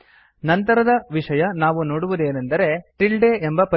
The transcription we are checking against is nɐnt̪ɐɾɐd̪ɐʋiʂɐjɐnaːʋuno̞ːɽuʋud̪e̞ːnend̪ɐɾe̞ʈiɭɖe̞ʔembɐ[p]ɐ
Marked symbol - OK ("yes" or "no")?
yes